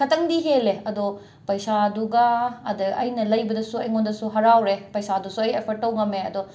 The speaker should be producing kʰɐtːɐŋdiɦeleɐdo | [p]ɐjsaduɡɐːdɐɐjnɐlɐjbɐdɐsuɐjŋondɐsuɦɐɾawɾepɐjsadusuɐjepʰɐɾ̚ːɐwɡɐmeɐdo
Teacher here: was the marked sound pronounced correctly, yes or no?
yes